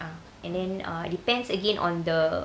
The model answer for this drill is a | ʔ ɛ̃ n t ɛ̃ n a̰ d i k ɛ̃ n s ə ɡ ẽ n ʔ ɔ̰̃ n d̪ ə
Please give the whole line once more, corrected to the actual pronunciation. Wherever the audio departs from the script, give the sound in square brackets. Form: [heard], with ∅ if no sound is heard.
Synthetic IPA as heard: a | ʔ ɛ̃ n [d] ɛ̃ n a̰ d i [p] ɛ̃ n s ə ɡ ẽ n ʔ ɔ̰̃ n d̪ ə